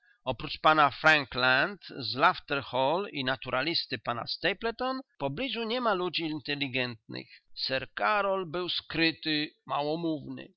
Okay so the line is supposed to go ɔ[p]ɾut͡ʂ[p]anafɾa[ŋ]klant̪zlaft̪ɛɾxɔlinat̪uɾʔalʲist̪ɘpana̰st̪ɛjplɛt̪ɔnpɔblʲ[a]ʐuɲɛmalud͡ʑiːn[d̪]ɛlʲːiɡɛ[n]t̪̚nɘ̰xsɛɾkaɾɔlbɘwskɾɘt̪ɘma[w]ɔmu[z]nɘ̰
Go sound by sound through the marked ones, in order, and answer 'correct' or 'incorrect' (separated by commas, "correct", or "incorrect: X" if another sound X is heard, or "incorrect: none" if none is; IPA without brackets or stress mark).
correct, correct, correct, incorrect: i, incorrect: t̪, correct, correct, incorrect: v